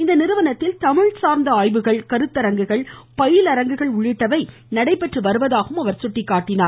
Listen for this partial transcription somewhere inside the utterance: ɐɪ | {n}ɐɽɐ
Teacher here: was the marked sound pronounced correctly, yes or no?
yes